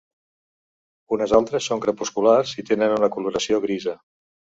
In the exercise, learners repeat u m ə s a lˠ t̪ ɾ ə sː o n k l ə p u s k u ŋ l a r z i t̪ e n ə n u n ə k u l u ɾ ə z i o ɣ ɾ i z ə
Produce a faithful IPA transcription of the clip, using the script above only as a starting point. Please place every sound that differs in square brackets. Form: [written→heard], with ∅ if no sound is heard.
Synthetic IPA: u [m→n] ə [s→z] a lˠ t̪ ɾ ə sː o [n→ŋ] k [l→ɾ] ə p u s k u [ŋ→∅] l a r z i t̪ e n ə n u n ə k u l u ɾ ə [z→s] i o ɣ ɾ i z ə

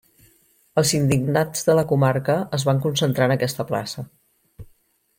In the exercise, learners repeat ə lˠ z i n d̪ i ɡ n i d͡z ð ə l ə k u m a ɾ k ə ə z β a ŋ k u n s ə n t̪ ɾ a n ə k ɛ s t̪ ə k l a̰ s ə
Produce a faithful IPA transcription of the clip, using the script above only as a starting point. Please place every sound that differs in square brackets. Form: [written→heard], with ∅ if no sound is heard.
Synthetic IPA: ə lˠ z i n d̪ i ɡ n [i→a] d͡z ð ə l ə k u m a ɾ k ə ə z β a ŋ k u n s ə n t̪ ɾ a n ə k ɛ s t̪ ə [k→p] l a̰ s ə

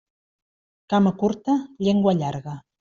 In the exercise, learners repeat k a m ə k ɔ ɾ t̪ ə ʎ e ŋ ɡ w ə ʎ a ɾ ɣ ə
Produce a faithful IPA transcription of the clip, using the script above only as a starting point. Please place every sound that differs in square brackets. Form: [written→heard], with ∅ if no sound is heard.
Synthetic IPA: k a m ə k [ɔ→u] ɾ t̪ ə ʎ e ŋ ɡ w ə ʎ a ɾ ɣ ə

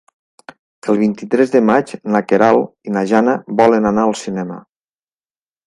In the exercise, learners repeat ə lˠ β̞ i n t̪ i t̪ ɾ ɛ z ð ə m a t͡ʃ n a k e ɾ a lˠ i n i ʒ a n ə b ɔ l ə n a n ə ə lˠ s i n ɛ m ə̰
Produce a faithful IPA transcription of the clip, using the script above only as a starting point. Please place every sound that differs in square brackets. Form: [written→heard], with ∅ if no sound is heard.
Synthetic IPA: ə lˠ β̞ i n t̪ i t̪ ɾ ɛ z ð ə m a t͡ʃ n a k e ɾ a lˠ i n [i→a] ʒ a n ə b ɔ l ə n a n [ə→a] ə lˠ s i n ɛ m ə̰

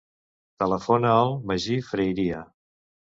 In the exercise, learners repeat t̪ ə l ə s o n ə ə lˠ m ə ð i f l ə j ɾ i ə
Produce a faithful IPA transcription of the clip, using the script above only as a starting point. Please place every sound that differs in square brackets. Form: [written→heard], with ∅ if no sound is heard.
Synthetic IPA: t̪ ə l ə [s→f] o n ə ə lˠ m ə [ð→ʒ] i f [l→ɾ] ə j ɾ i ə

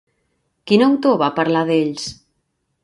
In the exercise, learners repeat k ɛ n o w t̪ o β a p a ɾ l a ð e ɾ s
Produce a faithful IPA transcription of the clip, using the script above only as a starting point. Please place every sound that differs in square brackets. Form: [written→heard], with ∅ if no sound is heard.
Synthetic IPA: k [ɛ→i] n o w t̪ o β a p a ɾ l a ð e [ɾ→ʎ] s

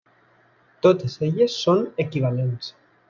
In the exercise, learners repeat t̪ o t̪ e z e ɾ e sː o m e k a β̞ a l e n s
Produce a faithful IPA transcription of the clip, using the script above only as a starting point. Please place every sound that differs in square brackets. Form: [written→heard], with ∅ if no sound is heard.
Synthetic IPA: t̪ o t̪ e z e [ɾ→ʎ] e sː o [m→n] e k [a→i] β̞ a l e n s

